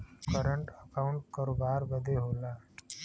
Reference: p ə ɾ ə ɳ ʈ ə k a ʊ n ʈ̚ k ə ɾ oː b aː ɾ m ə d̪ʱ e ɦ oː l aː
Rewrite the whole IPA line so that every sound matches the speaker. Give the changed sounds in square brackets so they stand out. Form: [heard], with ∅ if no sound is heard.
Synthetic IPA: [k] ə ɾ ə ɳ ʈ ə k a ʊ [ɳ] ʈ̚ k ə ɾ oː b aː ɾ [b] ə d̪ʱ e ɦ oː l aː